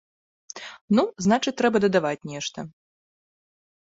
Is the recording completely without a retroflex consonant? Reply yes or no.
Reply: no